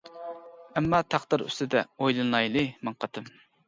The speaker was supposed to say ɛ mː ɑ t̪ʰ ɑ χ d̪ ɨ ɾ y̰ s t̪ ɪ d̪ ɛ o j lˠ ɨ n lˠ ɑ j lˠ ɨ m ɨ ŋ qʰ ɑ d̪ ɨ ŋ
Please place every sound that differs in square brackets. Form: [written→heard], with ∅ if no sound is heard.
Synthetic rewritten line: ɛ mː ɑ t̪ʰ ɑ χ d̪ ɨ ɾ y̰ s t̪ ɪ d̪ ɛ o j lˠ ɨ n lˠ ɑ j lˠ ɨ m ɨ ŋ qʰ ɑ [d̪→t̪] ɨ [ŋ→m]